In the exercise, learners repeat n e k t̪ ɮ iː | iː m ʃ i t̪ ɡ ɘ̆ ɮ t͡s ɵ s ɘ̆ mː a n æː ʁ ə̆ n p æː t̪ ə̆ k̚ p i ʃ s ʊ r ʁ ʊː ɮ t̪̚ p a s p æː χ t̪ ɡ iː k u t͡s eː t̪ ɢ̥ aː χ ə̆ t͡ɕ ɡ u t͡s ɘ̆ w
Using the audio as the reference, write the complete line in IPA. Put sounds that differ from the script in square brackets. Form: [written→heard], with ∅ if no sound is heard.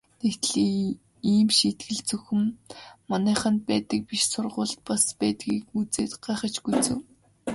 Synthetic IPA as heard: n e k t̪ ɮ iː | iː m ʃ i t̪ ɡ ɘ̆ ɮ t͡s ɵ [s→x] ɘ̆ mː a n æː [ʁ→χ] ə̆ n p æː t̪ ə̆ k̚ p i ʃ s ʊ r ʁ ʊː ɮ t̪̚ p a s p æː [χ→∅] t̪ ɡ iː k u t͡s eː t̪ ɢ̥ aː χ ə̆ t͡ɕ ɡ u t͡s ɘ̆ w